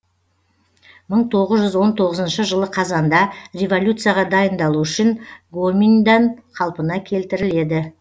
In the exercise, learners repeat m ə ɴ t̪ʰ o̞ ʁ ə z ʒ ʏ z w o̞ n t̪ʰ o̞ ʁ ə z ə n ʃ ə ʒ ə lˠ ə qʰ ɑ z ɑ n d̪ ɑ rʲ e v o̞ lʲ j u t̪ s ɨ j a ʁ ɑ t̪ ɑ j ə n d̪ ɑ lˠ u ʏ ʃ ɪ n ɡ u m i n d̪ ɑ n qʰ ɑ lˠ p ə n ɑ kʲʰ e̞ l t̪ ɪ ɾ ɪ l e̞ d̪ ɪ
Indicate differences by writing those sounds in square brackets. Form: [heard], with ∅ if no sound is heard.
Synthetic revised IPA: m ə ɴ t̪ʰ o̞ ʁ ə z ʒ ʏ z w o̞ n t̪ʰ o̞ ʁ ə z ə n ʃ ə ʒ ə lˠ ə qʰ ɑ z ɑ n d̪ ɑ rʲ e v o̞ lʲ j u t̪ s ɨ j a ʁ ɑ [d̪] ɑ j ə n d̪ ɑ lˠ u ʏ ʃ ɪ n ɡ [o] m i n d̪ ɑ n qʰ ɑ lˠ p ə n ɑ kʲʰ e̞ l t̪ ɪ ɾ ɪ l e̞ d̪ ɪ